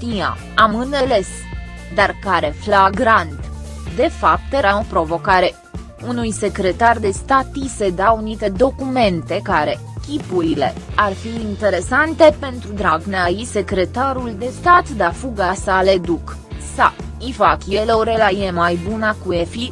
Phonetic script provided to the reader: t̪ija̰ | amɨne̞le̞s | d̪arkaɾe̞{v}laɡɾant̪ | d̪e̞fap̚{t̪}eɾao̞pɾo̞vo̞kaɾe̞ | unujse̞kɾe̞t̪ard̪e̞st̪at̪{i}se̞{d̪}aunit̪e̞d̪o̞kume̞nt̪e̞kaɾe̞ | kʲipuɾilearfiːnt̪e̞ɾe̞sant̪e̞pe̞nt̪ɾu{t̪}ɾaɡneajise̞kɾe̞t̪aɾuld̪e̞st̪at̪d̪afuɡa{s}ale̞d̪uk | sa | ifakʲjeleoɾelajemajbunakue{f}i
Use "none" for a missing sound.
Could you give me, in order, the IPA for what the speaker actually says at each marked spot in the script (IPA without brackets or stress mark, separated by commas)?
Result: f, t̪, i, d̪, d̪, s, f